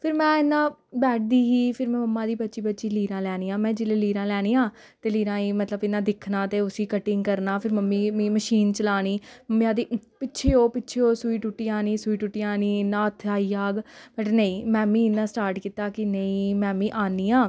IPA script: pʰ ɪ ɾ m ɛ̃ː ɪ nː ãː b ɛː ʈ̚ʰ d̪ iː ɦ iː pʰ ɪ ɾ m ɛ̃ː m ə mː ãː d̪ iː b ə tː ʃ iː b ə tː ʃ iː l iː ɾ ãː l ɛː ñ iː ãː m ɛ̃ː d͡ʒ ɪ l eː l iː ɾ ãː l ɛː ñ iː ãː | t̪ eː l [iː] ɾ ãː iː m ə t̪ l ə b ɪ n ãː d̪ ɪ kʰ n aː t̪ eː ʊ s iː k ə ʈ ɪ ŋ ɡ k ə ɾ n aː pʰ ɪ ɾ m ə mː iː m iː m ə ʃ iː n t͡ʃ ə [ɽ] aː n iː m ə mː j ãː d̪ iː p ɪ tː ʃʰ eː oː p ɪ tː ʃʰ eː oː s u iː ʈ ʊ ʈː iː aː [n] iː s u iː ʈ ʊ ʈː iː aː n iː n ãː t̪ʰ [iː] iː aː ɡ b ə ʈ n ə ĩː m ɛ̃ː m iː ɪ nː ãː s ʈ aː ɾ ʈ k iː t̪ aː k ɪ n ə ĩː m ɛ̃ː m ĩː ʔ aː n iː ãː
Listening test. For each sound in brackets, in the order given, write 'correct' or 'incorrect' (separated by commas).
correct, incorrect, correct, incorrect